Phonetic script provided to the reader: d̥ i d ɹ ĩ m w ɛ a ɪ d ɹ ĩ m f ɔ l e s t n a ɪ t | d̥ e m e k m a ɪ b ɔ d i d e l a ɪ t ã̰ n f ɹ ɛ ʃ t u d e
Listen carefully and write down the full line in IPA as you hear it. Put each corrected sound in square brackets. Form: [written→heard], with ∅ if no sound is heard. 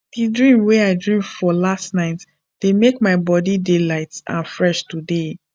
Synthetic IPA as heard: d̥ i d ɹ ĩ m w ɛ a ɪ d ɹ ĩ m f ɔ l [e→a] s t n a ɪ t | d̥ e m e k m a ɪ b ɔ d i d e l a ɪ t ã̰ n f ɹ ɛ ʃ t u d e